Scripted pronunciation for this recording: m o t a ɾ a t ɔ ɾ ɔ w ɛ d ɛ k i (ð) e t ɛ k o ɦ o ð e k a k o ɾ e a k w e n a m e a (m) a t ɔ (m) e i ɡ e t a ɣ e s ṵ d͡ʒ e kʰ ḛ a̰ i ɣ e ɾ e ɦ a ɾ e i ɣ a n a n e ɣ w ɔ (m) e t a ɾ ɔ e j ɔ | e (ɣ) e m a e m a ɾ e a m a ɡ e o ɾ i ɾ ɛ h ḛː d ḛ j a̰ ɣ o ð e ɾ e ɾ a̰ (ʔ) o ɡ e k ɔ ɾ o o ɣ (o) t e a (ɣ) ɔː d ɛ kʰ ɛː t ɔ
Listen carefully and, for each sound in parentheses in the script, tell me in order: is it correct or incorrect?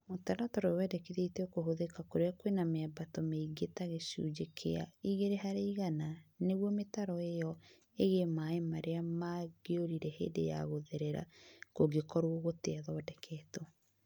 correct, incorrect, correct, correct, correct, incorrect, correct, incorrect

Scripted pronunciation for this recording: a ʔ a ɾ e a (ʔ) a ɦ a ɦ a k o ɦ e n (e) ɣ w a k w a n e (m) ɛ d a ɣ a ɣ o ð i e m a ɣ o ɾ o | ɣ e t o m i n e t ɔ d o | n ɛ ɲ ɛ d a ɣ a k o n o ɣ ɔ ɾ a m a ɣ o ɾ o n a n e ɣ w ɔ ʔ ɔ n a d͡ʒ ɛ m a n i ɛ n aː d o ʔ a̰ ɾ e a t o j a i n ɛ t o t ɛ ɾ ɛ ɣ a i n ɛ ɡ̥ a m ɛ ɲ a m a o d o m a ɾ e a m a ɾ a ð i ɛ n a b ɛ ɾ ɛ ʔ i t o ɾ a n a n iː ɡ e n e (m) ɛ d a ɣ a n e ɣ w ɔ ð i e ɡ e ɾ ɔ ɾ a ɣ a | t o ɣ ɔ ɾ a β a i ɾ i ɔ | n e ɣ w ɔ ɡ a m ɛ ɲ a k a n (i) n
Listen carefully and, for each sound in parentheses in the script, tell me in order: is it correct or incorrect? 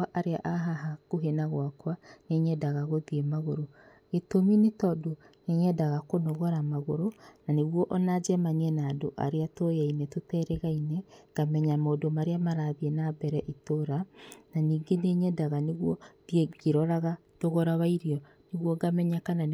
correct, incorrect, incorrect, incorrect, incorrect

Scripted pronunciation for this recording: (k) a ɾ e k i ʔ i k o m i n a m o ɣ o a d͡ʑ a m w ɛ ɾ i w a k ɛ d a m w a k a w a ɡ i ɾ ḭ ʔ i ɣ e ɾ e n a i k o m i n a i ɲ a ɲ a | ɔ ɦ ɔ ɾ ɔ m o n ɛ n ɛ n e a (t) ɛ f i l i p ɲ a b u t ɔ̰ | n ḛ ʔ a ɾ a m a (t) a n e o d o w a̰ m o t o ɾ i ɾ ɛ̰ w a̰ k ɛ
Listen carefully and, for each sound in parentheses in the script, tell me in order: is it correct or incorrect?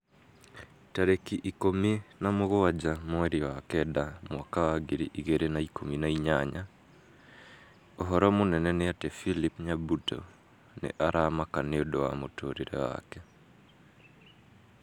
incorrect, correct, incorrect

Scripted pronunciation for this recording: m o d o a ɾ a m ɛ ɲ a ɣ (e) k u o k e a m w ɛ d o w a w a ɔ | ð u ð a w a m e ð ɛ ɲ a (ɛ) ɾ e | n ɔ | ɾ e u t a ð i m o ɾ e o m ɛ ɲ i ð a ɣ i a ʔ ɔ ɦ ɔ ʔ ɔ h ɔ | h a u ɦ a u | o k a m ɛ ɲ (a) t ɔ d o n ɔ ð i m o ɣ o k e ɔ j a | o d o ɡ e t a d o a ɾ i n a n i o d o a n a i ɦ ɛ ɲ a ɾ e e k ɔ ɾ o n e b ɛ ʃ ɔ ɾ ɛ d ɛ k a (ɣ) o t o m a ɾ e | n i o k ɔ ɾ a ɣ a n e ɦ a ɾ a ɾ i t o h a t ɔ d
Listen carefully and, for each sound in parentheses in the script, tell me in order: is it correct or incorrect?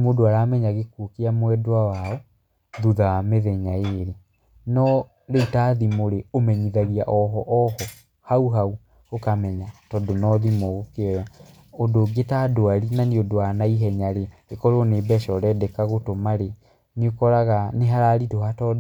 correct, incorrect, correct, correct

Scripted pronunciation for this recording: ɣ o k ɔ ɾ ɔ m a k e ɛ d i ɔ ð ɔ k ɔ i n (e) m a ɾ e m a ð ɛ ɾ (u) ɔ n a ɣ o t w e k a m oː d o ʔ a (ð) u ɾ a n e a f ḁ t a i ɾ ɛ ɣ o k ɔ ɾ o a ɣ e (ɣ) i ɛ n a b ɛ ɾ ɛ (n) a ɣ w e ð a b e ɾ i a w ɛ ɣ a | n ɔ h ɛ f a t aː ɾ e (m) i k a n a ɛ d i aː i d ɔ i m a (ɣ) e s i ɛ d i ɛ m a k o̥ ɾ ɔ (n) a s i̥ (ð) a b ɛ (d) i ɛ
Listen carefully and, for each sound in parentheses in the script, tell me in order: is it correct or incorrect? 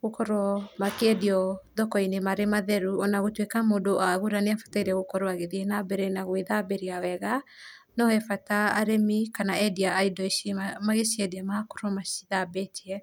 correct, correct, incorrect, incorrect, correct, correct, correct, incorrect, correct, incorrect

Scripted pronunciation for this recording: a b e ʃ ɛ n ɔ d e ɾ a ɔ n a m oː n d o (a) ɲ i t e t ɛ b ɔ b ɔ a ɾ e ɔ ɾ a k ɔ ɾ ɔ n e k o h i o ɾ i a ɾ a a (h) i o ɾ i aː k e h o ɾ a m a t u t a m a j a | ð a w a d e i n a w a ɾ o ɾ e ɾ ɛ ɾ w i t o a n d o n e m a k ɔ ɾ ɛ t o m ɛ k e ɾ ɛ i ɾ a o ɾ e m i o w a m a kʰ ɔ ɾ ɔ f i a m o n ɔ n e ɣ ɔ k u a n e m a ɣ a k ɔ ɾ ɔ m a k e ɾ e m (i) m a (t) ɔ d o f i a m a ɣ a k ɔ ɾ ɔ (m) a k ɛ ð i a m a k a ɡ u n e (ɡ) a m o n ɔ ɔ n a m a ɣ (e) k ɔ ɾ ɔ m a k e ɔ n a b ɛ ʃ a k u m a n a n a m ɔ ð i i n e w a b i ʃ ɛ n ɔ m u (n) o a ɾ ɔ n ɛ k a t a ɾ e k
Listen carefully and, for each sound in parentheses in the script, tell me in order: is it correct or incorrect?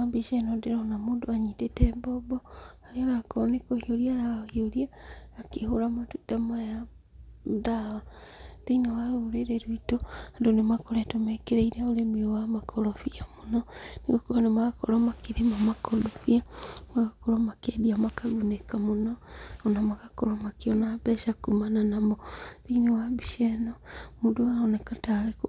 correct, correct, incorrect, incorrect, correct, incorrect, incorrect, incorrect

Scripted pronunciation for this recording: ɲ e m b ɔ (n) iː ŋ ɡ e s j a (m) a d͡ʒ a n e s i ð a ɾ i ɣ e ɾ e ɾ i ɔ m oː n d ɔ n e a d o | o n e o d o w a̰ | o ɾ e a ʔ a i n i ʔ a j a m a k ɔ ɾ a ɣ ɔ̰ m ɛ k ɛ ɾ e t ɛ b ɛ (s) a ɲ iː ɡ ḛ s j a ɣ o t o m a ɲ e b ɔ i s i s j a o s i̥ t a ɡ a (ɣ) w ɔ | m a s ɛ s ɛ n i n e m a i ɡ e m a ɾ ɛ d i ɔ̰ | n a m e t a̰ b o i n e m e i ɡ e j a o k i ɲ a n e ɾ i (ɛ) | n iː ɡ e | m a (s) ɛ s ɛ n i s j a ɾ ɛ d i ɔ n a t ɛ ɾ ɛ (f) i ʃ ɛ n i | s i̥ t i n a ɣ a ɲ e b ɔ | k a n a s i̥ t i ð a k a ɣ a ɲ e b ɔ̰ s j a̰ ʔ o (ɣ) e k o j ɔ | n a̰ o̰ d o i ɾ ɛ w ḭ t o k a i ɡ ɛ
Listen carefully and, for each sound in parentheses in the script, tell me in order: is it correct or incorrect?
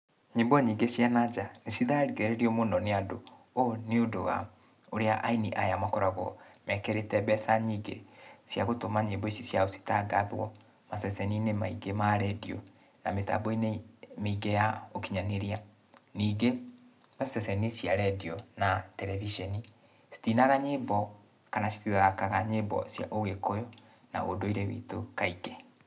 incorrect, incorrect, correct, incorrect, incorrect, correct, incorrect, correct

